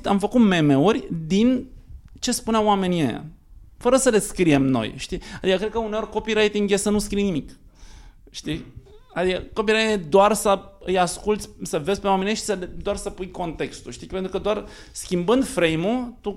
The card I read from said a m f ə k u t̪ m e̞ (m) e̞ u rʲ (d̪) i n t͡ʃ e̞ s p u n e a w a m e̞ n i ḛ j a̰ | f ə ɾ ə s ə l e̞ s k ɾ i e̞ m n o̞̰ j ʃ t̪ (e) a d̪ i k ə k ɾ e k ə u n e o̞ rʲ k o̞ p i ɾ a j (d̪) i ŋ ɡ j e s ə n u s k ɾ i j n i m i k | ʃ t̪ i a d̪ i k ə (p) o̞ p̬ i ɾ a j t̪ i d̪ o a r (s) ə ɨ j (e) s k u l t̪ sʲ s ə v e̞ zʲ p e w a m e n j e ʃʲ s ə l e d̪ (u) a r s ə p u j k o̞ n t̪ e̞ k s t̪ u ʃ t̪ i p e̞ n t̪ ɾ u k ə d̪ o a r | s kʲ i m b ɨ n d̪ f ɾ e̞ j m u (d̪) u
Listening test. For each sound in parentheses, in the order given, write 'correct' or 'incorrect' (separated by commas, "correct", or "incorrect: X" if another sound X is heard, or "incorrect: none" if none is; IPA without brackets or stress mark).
correct, correct, incorrect: i, incorrect: t̪, incorrect: k, correct, incorrect: a, incorrect: o, incorrect: t̪